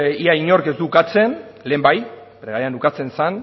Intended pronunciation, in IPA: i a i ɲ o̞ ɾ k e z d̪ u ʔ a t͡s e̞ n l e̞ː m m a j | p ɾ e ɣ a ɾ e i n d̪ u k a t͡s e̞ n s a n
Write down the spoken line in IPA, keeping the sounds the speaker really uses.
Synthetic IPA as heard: i a i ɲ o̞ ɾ k e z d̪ u k a t͡s e̞ n l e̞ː m b a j | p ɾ e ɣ a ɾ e a n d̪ u k a t͡s e̞ n s a n